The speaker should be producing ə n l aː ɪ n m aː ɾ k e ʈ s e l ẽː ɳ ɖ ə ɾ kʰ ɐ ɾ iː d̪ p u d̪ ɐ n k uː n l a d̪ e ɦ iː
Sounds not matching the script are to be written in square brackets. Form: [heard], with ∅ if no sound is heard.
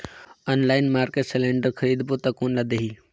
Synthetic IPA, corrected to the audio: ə n l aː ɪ n m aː ɾ k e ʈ s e l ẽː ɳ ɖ ə ɾ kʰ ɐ ɾ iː d̪ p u [t̪] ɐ [∅] k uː n l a d̪ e ɦ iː